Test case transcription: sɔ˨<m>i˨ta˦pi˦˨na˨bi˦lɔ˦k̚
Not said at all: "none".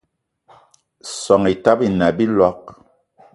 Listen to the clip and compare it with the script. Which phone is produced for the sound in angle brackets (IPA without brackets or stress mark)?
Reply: ŋ